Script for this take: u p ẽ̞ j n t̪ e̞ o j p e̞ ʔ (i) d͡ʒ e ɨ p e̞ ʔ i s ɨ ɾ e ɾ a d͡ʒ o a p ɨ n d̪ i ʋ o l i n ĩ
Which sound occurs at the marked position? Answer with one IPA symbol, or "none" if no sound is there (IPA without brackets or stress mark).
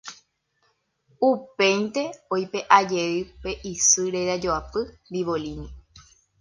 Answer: a